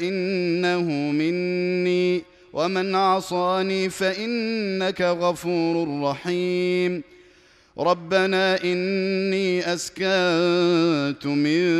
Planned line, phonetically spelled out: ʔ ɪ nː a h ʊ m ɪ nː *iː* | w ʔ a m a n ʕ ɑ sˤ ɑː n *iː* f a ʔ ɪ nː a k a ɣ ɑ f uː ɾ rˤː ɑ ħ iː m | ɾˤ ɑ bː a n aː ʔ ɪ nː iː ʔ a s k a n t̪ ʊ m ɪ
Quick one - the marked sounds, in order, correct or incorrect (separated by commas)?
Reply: correct, correct